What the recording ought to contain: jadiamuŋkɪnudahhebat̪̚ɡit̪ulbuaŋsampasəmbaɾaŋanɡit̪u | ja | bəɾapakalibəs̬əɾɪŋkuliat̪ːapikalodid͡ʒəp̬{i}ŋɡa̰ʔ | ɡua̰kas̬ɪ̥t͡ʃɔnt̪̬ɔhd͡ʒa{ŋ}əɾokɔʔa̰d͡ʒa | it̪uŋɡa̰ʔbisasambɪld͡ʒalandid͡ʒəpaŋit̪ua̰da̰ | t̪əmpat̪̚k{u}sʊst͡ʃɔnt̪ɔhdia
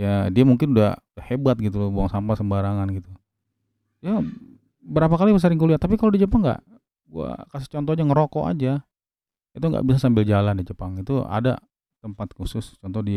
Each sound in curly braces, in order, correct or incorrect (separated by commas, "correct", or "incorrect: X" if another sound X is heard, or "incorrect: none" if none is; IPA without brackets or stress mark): incorrect: a, correct, correct